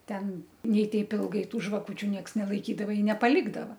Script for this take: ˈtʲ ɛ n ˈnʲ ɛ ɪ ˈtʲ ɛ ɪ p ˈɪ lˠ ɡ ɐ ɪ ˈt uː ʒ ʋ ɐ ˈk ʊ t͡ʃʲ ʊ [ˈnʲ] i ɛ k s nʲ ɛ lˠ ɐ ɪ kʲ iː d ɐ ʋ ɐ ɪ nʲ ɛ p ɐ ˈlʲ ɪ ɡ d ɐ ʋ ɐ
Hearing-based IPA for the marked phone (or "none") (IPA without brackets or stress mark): nʲ